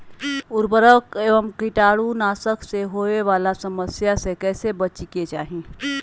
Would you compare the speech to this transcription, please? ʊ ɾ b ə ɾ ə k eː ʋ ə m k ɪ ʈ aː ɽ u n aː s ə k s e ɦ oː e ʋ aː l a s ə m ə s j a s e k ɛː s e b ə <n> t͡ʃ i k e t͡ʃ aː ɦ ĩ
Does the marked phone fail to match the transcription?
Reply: yes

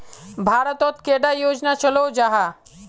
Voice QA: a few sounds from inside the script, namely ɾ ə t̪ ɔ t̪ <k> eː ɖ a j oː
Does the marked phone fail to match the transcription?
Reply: no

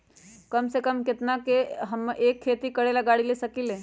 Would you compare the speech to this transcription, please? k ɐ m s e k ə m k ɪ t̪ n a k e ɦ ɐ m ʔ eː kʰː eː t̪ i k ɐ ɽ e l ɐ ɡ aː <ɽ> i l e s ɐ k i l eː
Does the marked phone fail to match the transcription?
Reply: no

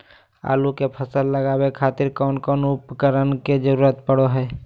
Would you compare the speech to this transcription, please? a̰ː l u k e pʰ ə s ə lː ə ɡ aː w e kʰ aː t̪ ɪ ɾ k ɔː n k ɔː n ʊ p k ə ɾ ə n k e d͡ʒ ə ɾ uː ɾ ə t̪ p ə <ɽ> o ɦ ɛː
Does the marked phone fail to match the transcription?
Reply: no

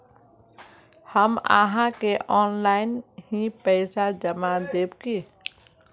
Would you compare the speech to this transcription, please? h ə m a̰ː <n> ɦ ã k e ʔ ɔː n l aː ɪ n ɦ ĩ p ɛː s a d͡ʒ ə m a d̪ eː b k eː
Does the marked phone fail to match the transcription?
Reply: yes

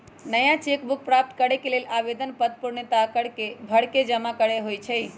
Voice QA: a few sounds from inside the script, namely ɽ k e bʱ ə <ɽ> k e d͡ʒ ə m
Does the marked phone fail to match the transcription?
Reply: no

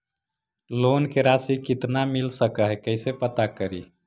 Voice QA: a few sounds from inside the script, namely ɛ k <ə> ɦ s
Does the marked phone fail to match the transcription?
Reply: no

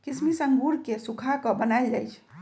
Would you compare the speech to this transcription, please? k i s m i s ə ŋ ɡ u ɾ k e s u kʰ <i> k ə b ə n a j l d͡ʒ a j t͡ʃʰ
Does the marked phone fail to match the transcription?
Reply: yes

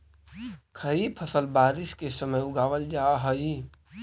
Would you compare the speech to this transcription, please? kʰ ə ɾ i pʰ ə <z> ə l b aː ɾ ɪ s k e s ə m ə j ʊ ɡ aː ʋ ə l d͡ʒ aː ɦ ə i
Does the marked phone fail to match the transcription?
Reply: yes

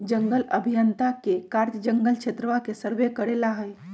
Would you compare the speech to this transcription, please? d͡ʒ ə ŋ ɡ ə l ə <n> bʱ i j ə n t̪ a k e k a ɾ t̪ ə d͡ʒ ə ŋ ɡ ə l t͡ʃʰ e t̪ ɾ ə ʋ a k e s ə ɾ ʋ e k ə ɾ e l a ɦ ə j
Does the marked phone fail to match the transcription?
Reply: yes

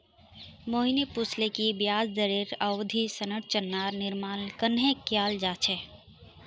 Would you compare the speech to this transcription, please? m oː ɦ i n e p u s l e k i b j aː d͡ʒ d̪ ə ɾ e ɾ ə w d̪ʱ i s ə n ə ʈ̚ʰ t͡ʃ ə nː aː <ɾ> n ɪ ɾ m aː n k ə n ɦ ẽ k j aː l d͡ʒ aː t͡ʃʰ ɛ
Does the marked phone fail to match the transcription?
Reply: no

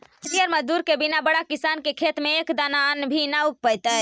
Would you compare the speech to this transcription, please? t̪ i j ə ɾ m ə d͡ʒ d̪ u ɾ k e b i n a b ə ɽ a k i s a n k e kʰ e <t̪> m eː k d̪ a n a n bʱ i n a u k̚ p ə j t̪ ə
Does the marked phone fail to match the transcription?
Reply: no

